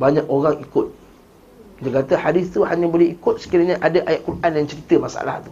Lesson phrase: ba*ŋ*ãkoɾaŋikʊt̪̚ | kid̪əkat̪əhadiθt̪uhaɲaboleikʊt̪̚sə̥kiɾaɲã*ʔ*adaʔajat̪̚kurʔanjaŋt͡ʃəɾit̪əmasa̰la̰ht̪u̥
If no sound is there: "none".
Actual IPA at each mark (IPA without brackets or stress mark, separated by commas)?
ɲ, ʔ